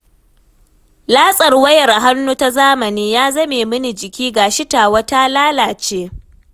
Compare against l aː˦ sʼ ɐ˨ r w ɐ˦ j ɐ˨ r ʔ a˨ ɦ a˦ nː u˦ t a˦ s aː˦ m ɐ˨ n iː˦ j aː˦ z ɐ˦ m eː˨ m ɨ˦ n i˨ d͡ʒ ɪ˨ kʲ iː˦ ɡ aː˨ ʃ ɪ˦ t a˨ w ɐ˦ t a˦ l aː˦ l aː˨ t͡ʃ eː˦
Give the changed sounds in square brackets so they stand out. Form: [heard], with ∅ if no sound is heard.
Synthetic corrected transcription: l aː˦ sʼ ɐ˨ r w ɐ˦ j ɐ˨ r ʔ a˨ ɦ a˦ nː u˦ t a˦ [z] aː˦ m ɐ˨ n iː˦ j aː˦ z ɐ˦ m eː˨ m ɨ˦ n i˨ d͡ʒ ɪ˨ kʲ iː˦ ɡ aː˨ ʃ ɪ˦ t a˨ w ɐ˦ t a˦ l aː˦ l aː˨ t͡ʃ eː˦